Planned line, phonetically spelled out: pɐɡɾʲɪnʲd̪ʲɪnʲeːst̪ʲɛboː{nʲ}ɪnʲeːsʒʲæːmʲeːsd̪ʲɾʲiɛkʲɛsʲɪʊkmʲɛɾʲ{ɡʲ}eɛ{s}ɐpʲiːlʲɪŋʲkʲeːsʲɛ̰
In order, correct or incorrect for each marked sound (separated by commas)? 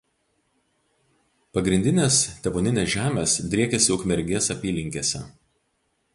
correct, correct, correct